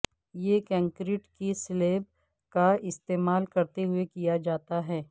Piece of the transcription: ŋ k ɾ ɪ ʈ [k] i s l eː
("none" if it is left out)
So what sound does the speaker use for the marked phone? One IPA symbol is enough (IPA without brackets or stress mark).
k